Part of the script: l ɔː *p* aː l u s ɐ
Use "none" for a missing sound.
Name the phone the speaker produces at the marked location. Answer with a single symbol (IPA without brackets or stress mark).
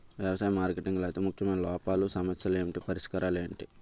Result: p